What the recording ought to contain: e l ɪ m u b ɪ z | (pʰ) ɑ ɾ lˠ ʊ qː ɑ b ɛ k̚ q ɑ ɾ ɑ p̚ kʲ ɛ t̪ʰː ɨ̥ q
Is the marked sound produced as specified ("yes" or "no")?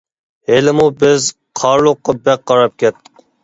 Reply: no